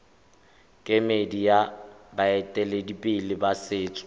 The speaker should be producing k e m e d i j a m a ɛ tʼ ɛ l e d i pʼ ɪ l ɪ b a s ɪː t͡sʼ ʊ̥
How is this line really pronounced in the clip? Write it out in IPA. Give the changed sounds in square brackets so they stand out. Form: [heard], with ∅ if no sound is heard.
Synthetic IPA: [kʼ] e m e d i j a [b] a ɛ tʼ ɛ l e d i pʼ ɪ l ɪ b a s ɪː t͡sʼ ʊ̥